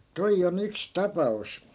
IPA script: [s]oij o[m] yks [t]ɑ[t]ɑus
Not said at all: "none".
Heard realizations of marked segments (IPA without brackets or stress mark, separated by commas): t, n, t, p